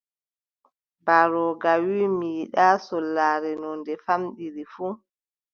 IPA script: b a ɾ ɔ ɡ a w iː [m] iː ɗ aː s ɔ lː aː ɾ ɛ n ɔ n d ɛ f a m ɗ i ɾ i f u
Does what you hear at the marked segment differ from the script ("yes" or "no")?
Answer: no